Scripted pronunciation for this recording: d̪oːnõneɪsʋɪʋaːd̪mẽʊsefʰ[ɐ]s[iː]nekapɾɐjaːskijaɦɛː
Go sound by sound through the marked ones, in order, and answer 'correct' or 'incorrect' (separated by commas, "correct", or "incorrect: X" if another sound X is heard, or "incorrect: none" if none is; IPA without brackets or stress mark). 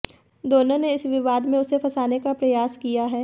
correct, incorrect: aː